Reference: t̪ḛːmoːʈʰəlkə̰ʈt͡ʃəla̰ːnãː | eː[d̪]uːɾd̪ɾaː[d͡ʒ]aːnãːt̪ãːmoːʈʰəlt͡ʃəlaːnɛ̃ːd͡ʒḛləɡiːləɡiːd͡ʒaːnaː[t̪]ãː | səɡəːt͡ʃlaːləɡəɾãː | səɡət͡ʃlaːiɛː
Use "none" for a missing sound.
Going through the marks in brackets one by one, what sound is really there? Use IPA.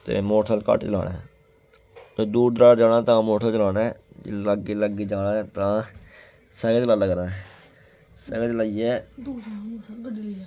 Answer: d̪, d͡ʒ, t̪

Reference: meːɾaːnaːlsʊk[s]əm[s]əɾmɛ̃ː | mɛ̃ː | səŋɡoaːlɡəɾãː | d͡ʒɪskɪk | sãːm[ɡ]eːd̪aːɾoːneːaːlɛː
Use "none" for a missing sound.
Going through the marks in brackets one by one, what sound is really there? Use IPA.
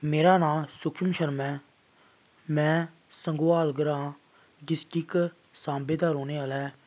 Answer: ʃ, ʃ, b

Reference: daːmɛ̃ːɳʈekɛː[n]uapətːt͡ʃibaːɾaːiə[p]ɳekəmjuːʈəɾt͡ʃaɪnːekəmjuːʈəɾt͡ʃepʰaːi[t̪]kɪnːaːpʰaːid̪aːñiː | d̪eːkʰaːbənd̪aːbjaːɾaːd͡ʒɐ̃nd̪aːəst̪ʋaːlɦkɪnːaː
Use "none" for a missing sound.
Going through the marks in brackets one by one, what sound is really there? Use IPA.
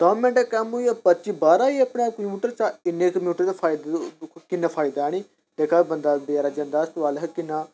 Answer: m, p, d̪

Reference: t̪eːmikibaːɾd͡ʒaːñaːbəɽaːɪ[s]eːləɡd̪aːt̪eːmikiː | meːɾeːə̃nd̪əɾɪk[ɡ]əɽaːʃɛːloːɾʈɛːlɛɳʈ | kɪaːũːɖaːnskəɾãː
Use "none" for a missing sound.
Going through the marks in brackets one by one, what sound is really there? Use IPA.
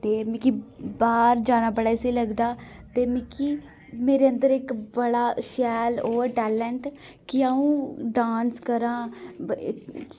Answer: s, b

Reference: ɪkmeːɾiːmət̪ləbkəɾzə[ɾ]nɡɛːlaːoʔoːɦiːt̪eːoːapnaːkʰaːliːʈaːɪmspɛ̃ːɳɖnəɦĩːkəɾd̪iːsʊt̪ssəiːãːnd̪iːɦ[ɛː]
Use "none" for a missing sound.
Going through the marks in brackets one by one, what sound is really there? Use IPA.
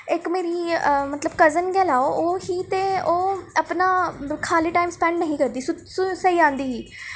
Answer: none, iː

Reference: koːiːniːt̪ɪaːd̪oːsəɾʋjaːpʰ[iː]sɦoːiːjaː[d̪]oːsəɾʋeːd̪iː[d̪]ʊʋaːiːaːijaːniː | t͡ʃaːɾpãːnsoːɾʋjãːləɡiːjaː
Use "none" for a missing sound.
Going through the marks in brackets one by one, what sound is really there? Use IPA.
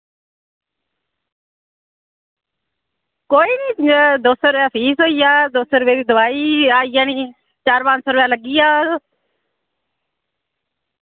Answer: iː, d̪, d̪

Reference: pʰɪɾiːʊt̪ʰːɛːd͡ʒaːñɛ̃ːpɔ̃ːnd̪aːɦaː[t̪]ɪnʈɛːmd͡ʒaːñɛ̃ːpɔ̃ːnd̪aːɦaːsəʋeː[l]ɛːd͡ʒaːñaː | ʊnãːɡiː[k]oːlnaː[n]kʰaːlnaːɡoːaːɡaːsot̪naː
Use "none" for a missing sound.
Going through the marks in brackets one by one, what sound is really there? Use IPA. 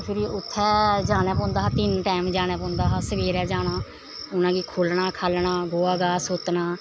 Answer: t̪, ɾ, kʰ, none

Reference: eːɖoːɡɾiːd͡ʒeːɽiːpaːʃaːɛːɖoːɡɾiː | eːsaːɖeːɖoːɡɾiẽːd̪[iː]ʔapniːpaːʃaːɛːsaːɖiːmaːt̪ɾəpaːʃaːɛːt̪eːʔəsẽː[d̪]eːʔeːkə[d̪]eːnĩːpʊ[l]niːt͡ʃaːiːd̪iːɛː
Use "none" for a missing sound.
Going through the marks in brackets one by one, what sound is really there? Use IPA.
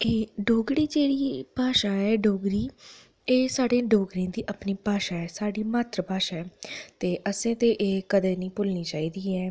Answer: iː, t̪, d̪, l

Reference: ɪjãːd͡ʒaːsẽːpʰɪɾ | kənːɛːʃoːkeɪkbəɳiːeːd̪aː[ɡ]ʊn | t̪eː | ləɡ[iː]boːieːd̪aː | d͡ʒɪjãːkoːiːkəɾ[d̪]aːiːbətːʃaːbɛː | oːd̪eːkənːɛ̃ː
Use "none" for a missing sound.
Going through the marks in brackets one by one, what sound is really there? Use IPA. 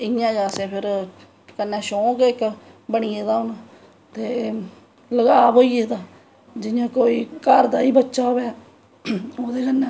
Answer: none, aː, d̪

